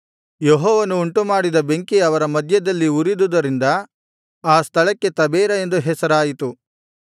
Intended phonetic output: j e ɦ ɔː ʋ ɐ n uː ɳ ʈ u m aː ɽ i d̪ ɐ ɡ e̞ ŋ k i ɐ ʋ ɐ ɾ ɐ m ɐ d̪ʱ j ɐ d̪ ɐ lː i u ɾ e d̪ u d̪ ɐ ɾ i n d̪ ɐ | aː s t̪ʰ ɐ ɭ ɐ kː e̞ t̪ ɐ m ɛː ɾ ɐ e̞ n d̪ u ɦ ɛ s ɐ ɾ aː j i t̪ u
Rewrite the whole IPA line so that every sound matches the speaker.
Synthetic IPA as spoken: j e ɦ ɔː ʋ ɐ n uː ɳ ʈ u m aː ɽ i d̪ ɐ b e̞ ŋ k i ɐ ʋ ɐ ɾ ɐ m ɐ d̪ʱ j ɐ d̪ ɐ lː i u ɾ i d̪ u d̪ ɐ ɾ i n d̪ ɐ | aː s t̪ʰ ɐ ɭ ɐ kː e̞ t̪ ɐ b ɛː ɾ ɐ e̞ n d̪ u ɦ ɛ s ɐ ɾ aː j i t̪ u